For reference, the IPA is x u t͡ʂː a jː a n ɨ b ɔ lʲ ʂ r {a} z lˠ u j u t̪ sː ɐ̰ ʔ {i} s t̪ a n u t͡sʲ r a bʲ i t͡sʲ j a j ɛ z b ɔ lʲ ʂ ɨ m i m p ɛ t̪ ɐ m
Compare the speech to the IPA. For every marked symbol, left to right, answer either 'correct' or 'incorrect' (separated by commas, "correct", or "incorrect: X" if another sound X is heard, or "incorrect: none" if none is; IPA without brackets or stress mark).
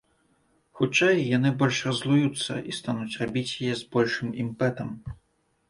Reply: incorrect: ɐ, correct